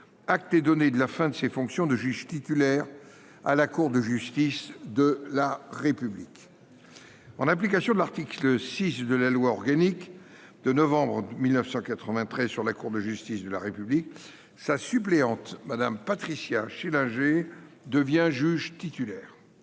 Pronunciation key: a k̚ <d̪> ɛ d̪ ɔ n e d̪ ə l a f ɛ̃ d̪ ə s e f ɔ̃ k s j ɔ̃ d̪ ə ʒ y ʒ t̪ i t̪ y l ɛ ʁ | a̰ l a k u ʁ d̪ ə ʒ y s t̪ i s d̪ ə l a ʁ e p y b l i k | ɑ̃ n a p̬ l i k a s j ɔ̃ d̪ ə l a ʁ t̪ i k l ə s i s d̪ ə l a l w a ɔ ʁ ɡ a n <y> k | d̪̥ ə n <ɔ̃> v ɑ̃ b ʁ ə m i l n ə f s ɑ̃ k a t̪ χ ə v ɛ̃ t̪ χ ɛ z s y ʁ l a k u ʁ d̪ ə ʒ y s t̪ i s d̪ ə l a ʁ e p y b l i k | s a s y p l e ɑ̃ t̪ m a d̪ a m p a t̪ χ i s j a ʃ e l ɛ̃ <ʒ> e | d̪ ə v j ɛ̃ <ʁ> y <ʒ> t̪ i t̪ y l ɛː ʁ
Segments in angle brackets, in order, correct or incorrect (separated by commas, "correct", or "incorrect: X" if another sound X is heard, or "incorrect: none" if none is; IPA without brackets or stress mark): incorrect: t̪, incorrect: i, incorrect: ɔ, correct, incorrect: ʒ, correct